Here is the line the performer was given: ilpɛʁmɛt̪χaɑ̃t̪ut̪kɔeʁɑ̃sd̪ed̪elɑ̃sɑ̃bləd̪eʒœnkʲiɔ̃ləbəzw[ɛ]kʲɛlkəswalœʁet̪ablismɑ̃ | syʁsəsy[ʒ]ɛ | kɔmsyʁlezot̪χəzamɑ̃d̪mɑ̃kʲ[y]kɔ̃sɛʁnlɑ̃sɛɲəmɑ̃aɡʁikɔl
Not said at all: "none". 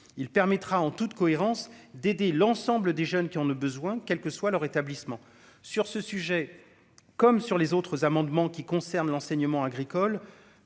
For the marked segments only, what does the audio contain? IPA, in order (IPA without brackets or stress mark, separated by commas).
ɛ̃, ʒ, i